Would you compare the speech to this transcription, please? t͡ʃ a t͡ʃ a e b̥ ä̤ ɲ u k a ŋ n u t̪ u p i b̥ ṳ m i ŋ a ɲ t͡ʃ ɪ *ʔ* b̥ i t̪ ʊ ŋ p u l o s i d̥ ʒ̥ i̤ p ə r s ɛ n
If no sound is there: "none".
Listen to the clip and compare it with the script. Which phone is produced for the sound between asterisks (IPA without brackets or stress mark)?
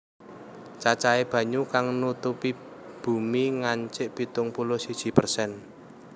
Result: ʔ